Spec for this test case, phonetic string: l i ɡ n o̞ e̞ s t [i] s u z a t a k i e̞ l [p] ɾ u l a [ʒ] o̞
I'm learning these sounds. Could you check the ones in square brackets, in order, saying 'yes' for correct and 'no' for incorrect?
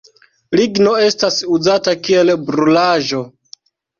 no, no, yes

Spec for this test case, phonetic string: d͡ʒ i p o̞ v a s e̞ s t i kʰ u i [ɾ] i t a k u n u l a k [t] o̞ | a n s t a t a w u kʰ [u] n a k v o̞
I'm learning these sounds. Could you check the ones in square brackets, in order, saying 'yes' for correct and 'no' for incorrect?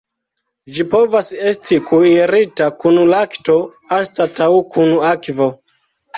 yes, yes, yes

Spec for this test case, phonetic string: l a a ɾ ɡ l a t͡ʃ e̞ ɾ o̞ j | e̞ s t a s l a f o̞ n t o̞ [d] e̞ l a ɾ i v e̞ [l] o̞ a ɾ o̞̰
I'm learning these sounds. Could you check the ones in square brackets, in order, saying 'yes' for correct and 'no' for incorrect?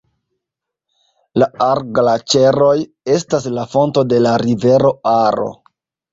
yes, no

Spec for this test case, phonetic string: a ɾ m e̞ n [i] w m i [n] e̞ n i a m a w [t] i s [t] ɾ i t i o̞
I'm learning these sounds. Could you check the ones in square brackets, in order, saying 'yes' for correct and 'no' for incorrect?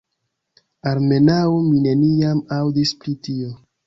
no, yes, no, no

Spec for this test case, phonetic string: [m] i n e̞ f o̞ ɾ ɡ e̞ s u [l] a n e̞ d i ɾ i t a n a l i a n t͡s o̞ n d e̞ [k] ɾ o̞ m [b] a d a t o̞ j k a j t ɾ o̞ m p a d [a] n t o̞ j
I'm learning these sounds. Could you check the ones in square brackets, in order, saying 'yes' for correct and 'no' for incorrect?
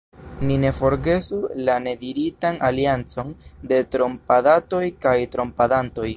no, yes, no, no, yes

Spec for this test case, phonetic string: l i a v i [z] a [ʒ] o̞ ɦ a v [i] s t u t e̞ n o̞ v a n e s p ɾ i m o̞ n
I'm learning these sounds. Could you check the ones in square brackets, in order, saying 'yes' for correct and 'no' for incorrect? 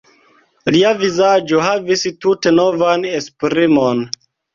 yes, no, yes

